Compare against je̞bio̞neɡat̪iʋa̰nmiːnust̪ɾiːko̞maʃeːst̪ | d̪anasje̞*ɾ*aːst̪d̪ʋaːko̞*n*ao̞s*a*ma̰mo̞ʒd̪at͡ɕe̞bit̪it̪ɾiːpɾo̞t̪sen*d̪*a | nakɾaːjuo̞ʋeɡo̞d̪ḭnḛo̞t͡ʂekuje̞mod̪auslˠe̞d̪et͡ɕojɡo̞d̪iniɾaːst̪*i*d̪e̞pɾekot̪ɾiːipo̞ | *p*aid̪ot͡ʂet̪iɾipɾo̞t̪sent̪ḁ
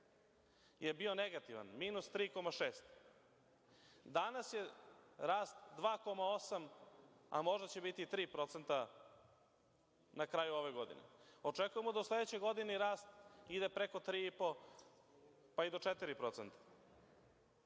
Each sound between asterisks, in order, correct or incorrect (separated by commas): correct, incorrect, correct, incorrect, correct, correct